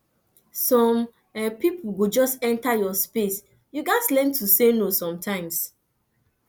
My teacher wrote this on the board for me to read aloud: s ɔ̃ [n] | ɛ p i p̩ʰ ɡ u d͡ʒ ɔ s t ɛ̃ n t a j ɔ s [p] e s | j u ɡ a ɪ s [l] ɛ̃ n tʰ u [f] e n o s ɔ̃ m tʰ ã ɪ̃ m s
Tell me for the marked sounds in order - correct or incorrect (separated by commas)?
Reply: incorrect, correct, correct, incorrect